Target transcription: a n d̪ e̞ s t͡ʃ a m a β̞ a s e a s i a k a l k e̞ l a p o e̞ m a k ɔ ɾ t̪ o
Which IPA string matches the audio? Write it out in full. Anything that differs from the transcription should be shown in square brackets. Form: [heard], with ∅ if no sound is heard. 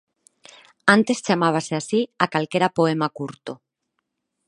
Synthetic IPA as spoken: a n [t̪] e̞ s t͡ʃ a m a β̞ a s e a s i a k a l k e̞ [ɾ] a p o e̞ m a k [u] ɾ t̪ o